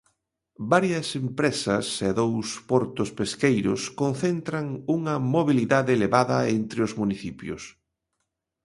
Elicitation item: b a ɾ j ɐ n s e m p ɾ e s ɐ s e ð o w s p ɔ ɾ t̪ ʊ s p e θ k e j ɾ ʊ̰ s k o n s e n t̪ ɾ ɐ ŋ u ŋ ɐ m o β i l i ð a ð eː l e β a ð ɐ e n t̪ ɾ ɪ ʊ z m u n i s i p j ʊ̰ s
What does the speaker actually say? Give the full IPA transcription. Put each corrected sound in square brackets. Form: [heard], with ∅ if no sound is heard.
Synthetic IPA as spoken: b a ɾ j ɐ [∅] s e m p ɾ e s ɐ s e ð o w s p ɔ ɾ t̪ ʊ s p e [s] k e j ɾ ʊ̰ s k o n [θ] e n t̪ ɾ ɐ ŋ u ŋ ɐ m o β i l i ð a ð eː l e β a ð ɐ e n t̪ ɾ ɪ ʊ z m u n i [θ] i p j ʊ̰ s